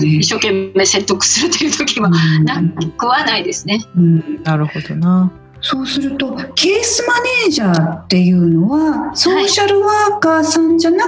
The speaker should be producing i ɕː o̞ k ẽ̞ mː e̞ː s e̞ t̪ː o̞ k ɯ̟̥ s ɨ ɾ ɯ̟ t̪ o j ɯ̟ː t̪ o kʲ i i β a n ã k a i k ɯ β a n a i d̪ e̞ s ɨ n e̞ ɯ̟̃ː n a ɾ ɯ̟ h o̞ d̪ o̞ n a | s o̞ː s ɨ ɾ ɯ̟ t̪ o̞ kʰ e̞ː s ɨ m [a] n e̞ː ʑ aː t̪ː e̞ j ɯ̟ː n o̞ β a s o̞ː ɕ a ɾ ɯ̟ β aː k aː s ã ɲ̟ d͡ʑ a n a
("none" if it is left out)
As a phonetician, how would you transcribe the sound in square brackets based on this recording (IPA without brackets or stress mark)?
a